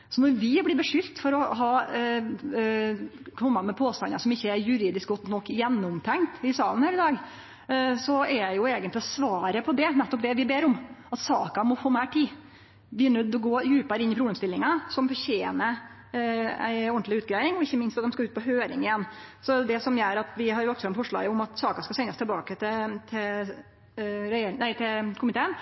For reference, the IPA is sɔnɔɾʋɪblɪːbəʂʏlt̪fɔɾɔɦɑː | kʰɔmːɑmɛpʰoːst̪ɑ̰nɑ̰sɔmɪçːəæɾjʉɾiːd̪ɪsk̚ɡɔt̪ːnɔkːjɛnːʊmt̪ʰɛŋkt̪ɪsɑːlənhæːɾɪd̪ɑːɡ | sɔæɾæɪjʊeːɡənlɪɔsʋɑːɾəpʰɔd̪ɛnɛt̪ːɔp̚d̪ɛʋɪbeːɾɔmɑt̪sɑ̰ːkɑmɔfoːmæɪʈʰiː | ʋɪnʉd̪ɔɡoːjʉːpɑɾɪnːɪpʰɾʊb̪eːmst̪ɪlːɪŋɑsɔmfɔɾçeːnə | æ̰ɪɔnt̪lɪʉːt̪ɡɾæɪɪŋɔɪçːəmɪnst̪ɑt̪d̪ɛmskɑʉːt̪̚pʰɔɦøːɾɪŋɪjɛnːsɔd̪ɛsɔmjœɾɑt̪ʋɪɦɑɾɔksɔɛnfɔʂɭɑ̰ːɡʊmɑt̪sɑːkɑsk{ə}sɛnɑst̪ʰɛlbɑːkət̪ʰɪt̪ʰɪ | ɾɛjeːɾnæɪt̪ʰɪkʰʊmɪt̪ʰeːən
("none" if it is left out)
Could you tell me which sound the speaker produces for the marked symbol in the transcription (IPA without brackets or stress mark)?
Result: ɑ